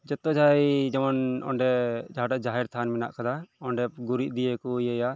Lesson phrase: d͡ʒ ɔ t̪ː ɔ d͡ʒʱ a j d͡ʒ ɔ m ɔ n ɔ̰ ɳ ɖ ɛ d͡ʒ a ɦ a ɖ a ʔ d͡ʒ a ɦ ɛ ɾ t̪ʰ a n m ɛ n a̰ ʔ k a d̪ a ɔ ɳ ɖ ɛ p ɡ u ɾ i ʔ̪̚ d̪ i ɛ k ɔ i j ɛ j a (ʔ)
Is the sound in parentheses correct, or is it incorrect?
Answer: incorrect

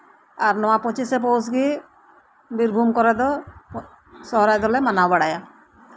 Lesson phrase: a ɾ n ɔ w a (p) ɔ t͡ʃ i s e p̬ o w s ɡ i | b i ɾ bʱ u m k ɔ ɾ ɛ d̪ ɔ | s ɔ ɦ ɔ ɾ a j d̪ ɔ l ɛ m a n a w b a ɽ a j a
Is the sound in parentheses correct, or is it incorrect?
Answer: correct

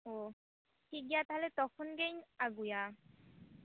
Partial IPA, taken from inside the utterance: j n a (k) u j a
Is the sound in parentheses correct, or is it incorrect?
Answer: incorrect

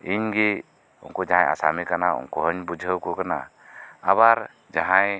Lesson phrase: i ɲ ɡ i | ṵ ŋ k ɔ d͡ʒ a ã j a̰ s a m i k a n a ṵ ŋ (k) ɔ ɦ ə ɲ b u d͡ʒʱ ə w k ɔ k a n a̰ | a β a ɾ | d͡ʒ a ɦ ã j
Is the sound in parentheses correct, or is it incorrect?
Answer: correct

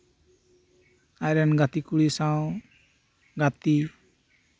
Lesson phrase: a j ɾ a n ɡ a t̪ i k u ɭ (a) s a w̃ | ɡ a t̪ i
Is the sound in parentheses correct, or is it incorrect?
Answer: incorrect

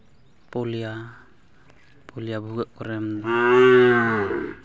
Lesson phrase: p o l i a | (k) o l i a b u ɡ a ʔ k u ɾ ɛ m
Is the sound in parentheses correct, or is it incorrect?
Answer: incorrect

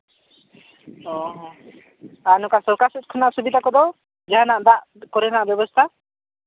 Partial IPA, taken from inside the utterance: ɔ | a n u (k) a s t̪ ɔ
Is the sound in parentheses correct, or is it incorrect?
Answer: correct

